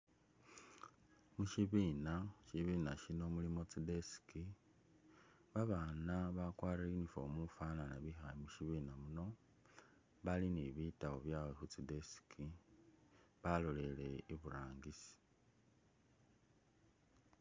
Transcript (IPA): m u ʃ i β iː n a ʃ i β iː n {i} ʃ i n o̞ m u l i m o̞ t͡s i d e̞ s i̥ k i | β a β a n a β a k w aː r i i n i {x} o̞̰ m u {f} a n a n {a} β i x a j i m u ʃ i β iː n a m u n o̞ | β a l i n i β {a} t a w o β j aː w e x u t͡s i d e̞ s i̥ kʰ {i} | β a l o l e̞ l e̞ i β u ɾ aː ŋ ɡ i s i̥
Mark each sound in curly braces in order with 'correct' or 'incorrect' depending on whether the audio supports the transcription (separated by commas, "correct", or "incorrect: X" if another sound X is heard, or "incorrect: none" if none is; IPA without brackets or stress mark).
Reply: incorrect: a, incorrect: f, correct, correct, incorrect: i, correct